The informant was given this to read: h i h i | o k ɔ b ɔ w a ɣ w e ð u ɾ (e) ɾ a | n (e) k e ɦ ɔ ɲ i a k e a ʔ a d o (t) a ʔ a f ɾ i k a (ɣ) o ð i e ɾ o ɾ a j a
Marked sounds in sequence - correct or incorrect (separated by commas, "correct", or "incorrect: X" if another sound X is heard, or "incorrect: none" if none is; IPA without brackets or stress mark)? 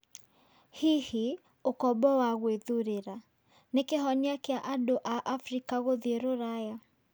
correct, correct, incorrect: ʔ, correct